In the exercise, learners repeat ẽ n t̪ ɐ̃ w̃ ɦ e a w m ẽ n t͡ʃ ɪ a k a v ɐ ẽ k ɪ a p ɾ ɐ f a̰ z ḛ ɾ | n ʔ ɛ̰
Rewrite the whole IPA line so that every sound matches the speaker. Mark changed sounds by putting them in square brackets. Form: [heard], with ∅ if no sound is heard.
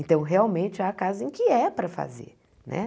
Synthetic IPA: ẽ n t̪ ɐ̃ w̃ ɦ e a w m ẽ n t͡ʃ ɪ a k a [z] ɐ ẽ k ɪ [ɛ] p ɾ ɐ f a̰ z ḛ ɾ | n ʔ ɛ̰